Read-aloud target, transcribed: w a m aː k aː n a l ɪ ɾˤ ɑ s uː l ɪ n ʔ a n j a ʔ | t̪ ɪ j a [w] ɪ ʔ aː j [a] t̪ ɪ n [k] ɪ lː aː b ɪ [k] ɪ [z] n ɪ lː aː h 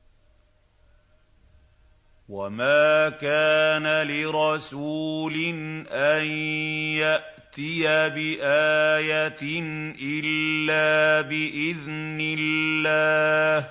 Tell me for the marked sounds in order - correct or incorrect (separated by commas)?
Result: incorrect, correct, incorrect, incorrect, incorrect